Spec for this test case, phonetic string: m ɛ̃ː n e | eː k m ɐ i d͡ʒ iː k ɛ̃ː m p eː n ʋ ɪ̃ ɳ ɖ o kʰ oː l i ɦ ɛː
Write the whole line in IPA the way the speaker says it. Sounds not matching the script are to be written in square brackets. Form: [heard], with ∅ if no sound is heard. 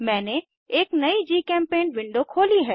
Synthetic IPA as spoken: m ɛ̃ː n e | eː k [n] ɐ i d͡ʒ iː k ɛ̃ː m p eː n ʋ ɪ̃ ɳ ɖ o kʰ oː l i ɦ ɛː